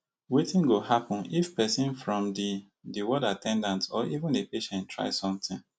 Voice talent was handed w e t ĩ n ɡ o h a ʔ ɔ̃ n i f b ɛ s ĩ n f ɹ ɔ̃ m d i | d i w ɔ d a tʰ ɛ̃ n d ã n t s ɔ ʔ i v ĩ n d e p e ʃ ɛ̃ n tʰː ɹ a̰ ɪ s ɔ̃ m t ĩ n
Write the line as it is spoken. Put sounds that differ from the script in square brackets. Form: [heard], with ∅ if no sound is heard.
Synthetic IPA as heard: w e t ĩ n ɡ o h a [p] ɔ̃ n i f [p] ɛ s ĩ n f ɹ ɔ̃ m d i | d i w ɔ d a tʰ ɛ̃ n d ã n t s ɔ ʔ i v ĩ n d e p e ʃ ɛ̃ n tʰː ɹ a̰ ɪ s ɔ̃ m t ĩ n